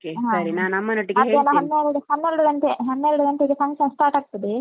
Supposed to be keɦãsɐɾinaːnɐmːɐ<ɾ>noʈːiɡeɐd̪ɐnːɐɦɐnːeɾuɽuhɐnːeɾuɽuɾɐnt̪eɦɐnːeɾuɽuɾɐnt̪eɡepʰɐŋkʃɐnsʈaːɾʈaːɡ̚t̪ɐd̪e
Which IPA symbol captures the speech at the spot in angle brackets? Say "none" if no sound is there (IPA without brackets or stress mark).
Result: none